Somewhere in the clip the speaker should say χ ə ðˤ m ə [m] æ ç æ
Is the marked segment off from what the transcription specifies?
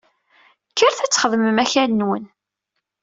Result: no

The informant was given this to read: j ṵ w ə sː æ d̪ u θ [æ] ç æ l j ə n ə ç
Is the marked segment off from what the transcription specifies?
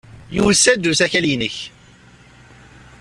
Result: no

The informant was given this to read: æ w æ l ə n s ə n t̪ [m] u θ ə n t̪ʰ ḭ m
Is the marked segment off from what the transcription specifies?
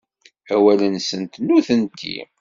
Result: yes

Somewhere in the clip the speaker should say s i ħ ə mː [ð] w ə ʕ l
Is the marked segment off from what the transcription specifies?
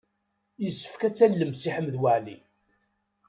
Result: no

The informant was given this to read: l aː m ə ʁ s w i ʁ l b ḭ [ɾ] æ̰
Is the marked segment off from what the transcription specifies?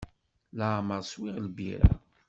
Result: no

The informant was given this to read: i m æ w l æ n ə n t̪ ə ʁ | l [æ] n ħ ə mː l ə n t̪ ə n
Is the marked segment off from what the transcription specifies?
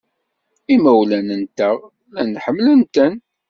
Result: no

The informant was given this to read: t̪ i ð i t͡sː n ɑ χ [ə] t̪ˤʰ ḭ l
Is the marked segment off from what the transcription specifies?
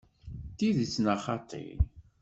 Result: yes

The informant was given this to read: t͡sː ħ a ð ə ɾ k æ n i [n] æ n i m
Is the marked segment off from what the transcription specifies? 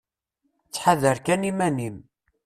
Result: yes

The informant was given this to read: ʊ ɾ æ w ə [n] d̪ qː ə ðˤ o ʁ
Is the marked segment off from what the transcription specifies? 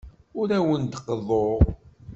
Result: no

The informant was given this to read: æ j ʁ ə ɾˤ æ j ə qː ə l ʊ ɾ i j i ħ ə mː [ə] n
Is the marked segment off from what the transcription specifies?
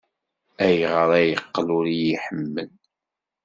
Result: no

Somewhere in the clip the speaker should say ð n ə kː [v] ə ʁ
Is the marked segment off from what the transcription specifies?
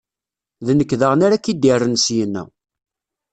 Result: yes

